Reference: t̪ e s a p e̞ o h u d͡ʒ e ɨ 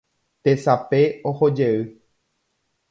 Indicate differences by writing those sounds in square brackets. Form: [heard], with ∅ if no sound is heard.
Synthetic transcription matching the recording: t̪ e s a p e̞ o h [o] d͡ʒ e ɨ